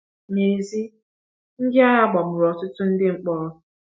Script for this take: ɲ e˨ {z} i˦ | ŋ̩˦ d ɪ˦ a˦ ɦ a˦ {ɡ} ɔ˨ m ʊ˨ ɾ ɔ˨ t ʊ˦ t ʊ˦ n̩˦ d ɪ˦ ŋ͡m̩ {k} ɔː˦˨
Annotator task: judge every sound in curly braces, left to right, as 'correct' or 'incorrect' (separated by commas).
correct, incorrect, incorrect